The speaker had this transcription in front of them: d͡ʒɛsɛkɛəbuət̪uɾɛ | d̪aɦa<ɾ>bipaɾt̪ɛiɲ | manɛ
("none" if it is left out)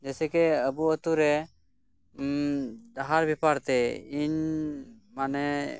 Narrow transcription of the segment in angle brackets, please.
ɾ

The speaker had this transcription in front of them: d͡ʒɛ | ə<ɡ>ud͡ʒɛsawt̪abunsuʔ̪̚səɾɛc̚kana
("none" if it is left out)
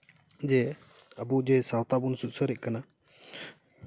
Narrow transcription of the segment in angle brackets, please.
b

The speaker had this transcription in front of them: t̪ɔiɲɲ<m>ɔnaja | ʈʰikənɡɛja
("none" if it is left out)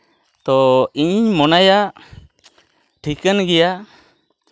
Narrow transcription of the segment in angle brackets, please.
m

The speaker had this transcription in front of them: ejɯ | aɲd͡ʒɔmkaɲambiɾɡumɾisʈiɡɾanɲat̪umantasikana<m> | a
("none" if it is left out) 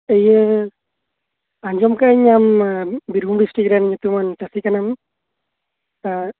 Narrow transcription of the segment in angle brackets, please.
m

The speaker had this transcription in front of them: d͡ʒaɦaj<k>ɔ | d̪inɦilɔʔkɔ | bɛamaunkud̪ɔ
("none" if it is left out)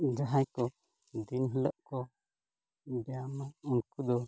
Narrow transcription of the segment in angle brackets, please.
k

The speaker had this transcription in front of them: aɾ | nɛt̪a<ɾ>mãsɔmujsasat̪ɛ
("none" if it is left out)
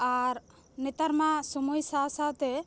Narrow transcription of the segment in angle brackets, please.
ɾ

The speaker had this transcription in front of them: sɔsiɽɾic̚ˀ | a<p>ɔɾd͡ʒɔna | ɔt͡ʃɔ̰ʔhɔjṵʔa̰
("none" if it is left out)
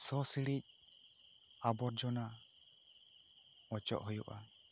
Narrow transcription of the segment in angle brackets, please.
b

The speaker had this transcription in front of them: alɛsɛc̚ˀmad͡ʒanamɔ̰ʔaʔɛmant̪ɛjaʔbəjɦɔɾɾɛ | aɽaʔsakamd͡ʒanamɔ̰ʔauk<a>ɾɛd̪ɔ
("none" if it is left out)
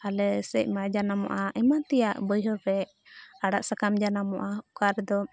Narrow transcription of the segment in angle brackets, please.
a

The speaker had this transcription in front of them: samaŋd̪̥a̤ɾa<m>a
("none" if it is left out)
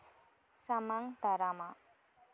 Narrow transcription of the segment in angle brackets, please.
m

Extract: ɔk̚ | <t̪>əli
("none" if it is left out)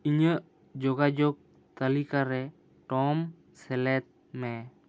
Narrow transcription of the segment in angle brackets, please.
t̪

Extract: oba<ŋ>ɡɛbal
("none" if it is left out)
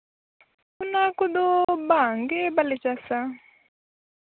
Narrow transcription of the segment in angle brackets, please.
ŋ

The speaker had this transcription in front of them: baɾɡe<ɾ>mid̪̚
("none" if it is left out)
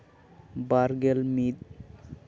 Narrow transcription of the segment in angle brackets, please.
l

